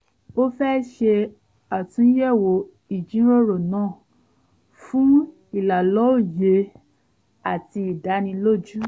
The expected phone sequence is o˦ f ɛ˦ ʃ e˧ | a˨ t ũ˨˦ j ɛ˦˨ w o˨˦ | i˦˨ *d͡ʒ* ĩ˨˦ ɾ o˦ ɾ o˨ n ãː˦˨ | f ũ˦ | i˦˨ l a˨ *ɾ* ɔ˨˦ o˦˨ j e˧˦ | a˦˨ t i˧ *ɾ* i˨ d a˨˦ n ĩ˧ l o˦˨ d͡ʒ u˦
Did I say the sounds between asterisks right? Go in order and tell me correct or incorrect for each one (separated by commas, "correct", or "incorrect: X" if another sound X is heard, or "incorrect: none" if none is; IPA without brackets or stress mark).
correct, incorrect: l, incorrect: none